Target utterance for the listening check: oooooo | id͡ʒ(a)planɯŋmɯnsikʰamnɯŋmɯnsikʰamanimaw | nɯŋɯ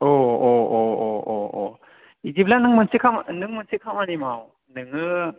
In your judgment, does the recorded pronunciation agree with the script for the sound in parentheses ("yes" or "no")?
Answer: no